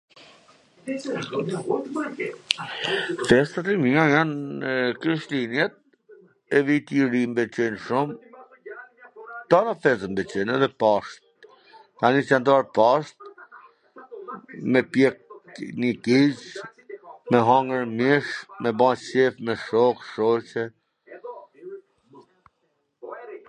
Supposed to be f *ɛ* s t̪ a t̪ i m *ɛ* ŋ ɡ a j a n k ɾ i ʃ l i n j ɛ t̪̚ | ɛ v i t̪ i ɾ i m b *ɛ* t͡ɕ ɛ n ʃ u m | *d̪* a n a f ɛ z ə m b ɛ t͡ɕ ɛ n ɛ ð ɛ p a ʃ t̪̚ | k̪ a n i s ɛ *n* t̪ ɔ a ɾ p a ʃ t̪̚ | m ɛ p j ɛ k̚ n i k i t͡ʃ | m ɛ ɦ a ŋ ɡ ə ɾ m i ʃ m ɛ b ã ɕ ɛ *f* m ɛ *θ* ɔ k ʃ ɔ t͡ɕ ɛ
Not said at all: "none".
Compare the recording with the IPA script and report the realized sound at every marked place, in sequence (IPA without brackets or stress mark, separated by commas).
ɛ, i, ɛ, t̪, n, f, ʃ